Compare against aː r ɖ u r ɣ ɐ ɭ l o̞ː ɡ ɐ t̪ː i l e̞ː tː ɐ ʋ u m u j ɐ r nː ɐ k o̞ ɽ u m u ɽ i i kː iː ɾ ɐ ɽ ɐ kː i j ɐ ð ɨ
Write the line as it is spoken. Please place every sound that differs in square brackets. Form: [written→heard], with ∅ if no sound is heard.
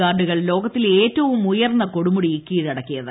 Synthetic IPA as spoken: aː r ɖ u [r→∅] ɣ ɐ ɭ l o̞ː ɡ ɐ t̪ː i l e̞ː tː ɐ ʋ u m u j ɐ r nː ɐ k o̞ ɽ u m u ɽ i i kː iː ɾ ɐ ɽ ɐ kː i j ɐ ð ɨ

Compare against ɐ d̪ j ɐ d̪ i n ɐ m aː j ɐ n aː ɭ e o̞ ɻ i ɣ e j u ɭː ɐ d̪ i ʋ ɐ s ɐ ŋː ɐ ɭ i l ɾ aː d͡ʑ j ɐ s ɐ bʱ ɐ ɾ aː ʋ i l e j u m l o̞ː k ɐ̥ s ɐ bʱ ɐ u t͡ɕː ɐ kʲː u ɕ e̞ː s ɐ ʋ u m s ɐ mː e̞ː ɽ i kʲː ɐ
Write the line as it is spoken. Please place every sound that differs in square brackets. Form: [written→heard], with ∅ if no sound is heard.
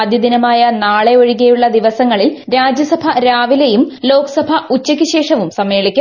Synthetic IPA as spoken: ɐ d̪ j ɐ d̪ i n ɐ m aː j ɐ n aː ɭ e o̞ ɻ i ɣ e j u ɭː ɐ d̪ i ʋ ɐ s ɐ ŋː ɐ ɭ i l ɾ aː d͡ʑ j ɐ s ɐ bʱ ɐ ɾ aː ʋ i l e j u m l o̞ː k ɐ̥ s ɐ bʱ ɐ u t͡ɕː ɐ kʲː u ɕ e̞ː [s→ʂ] ɐ ʋ u m s ɐ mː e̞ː [ɽ→ɭ] i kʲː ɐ

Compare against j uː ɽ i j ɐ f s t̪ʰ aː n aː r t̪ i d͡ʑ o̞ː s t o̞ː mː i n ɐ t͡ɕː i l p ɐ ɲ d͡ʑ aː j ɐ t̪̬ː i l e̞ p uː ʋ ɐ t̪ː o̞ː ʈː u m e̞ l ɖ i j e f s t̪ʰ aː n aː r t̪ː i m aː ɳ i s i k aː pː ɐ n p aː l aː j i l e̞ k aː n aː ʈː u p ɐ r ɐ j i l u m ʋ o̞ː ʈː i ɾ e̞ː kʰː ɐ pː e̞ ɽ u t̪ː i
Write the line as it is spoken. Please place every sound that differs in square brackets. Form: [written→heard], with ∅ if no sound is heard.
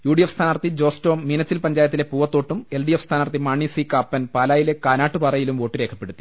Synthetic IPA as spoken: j uː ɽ i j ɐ f s t̪ʰ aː n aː r t̪ i d͡ʑ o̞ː s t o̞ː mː i n ɐ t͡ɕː i l p ɐ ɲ d͡ʑ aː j ɐ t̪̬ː i l e̞ p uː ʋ ɐ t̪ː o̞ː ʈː u m e̞ l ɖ i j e f s t̪ʰ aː n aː r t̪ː i m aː ɳ i s i k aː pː ɐ n p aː l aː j i l e̞ k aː n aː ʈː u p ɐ r ɐ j i l u m ʋ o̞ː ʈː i ɾ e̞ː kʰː ɐ pː e̞ ɽ u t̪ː i

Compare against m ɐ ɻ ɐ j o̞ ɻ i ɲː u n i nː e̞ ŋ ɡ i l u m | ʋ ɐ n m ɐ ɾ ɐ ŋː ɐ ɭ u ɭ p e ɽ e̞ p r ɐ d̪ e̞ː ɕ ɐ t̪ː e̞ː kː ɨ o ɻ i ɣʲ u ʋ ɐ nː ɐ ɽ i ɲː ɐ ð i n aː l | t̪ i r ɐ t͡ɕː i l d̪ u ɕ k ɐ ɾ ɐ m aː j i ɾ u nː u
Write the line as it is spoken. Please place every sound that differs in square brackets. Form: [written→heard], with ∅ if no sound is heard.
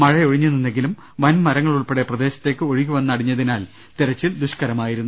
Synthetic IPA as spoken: m ɐ ɻ ɐ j o̞ ɻ i ɲː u n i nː e̞ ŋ ɡ i l u m | ʋ ɐ n m ɐ ɾ ɐ ŋː ɐ ɭ u ɭ p e ɽ e̞ p r ɐ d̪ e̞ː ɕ ɐ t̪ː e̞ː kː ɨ o ɻ i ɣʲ u ʋ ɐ nː ɐ ɽ i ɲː ɐ ð i n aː l | t̪ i [r→ɾ] ɐ t͡ɕː i l d̪ u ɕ k ɐ ɾ ɐ m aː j i ɾ u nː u

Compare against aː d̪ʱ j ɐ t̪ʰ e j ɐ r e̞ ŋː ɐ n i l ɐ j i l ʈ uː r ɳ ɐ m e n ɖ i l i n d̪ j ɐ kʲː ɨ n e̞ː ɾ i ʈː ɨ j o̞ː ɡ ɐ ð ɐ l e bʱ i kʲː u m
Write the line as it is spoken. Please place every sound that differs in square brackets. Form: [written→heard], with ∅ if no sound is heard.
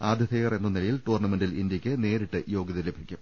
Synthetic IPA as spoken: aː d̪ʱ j ɐ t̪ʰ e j ɐ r e̞ [ŋː→nː] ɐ n i l ɐ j i l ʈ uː r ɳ ɐ m e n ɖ i l i n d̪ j ɐ kʲː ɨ n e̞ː ɾ i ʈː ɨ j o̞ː ɡ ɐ ð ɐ l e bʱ i kʲː u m

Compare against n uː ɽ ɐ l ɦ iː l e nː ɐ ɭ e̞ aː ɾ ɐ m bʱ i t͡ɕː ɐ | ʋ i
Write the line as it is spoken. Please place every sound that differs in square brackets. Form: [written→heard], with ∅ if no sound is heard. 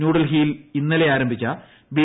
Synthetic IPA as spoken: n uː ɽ ɐ l ɦ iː l [e→i] nː ɐ [ɭ→l] e̞ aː ɾ ɐ m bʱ i t͡ɕː ɐ | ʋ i

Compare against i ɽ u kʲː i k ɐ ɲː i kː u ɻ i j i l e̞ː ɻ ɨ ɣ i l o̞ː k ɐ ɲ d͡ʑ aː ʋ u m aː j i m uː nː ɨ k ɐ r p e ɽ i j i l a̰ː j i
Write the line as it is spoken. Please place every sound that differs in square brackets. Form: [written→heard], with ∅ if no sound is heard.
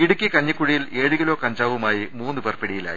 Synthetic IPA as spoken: i ɽ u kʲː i k ɐ ɲː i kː u ɻ i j i l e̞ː ɻ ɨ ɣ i l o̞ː k ɐ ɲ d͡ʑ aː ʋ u m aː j i m uː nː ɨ [k→p] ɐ r p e ɽ i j i l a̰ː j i

